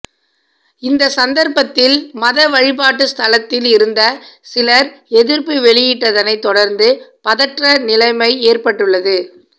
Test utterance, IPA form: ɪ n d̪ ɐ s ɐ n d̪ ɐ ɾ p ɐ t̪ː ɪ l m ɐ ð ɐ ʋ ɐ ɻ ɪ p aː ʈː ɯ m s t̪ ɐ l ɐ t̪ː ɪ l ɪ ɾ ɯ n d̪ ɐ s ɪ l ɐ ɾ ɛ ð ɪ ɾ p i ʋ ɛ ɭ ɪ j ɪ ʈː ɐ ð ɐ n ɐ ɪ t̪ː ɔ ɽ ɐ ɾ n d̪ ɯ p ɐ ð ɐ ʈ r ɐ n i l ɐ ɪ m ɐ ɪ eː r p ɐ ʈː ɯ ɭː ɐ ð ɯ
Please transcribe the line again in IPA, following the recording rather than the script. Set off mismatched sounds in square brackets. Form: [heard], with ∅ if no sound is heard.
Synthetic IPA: ɪ n d̪ ɐ s ɐ n d̪ ɐ ɾ p ɐ t̪ː ɪ l m ɐ ð ɐ ʋ ɐ ɻ ɪ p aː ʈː ɯ [∅] s t̪ ɐ l ɐ t̪ː ɪ l ɪ ɾ ɯ n d̪ ɐ s ɪ l ɐ ɾ ɛ ð ɪ ɾ p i ʋ ɛ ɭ ɪ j ɪ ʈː ɐ ð ɐ n ɐ ɪ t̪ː ɔ ɽ ɐ ɾ n d̪ ɯ p ɐ ð ɐ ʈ r ɐ n [ɪ] l ɐ ɪ m ɐ ɪ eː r p ɐ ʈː ɯ ɭː ɐ ð ɯ